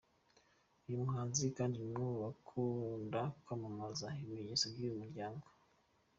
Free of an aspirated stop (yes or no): no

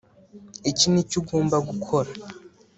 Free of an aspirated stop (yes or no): no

